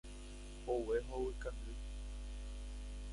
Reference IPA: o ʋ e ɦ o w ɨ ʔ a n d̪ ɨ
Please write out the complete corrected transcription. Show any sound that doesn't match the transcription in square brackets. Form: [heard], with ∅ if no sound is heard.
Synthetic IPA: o [w] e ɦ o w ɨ [k] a n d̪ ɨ

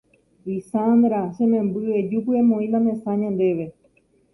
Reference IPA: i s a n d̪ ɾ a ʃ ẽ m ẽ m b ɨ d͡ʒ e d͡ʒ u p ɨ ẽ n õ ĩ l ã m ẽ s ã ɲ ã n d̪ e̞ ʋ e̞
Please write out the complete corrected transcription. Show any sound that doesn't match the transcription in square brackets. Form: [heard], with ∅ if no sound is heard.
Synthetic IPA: i s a n d̪ ɾ a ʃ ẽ m ẽ m b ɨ [∅] e d͡ʒ u p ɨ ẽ [m] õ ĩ l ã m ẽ s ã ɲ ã n d̪ e̞ ʋ e̞

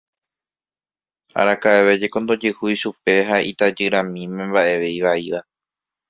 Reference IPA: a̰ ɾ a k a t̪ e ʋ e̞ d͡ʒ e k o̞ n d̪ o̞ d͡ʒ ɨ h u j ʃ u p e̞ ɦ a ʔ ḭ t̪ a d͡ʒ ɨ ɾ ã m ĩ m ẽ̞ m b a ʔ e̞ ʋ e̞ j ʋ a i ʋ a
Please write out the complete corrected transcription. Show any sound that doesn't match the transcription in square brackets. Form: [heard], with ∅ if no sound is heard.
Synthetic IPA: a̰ ɾ a k a [∅] e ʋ e̞ d͡ʒ e k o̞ n d̪ o̞ d͡ʒ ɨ h u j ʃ u p e̞ ɦ a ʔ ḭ t̪ a d͡ʒ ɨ ɾ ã m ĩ m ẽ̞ m b a ʔ e̞ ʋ e̞ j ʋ a i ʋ a

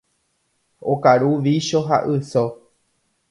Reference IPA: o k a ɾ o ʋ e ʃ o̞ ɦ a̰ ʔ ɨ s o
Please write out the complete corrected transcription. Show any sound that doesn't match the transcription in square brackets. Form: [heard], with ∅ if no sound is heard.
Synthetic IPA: o k a ɾ [u] ʋ [i] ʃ o̞ ɦ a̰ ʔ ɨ s o

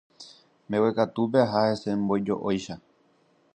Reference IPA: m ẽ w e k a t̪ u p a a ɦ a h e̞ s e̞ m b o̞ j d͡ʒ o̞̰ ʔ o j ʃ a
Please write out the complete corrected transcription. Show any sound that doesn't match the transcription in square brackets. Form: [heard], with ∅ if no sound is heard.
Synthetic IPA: m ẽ w e k a t̪ u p [e] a ɦ a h e̞ s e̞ m b o̞ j d͡ʒ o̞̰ ʔ o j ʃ a

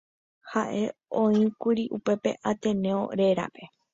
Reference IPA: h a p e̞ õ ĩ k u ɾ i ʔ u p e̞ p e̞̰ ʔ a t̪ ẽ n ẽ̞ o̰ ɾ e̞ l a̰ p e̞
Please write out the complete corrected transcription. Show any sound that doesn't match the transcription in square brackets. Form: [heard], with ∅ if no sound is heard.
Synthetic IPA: h a [ʔ] e̞ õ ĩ k u ɾ i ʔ u p e̞ p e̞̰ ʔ a t̪ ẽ n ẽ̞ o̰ ɾ e̞ [ɾ] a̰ p e̞

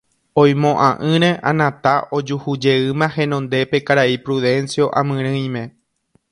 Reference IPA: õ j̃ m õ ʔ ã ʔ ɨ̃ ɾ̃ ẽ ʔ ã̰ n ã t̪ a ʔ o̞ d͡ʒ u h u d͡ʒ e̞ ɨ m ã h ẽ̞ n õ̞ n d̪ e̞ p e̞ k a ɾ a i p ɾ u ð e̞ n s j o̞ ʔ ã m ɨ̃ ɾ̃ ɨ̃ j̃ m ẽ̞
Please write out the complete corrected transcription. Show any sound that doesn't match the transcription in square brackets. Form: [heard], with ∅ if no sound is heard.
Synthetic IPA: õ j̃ m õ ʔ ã ʔ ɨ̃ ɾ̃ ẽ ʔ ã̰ n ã t̪ a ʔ o̞ d͡ʒ u h u d͡ʒ e̞ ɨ m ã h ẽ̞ n õ̞ n d̪ e̞ p e̞ k a ɾ a i p ɾ u ð e̞ n s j o̞ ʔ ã m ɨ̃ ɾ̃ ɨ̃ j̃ m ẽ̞

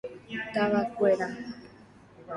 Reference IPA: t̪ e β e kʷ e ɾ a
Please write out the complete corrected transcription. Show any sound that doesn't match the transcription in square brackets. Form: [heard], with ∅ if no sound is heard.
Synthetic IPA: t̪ [a] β [a] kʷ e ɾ a

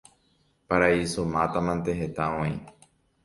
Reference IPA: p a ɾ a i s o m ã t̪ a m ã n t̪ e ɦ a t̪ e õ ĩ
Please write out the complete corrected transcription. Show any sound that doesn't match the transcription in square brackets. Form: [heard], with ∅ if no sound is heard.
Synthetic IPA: p a ɾ a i s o m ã t̪ a m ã n t̪ e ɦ [e] t̪ [a] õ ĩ

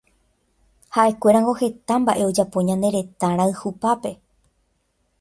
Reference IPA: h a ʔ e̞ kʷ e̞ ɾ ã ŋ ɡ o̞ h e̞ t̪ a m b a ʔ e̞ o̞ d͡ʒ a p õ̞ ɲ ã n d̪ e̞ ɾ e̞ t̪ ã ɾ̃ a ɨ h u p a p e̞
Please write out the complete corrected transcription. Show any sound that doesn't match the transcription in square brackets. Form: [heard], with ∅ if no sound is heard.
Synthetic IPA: h a ʔ e̞ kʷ e̞ ɾ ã ŋ ɡ o̞ h e̞ t̪ a m b a ʔ e̞ o̞ d͡ʒ a p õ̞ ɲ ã n d̪ e̞ ɾ e̞ t̪ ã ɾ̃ a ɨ h u p a p e̞

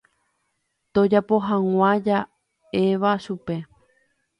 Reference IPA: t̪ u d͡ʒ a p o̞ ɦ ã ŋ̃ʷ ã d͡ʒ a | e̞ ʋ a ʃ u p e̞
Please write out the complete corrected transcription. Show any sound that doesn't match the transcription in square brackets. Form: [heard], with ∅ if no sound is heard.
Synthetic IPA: t̪ [o] d͡ʒ a p o̞ ɦ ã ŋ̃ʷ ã d͡ʒ a | e̞ ʋ a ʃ u p e̞

